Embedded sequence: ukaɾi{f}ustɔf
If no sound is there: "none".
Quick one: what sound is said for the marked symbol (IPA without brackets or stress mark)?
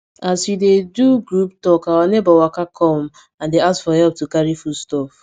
f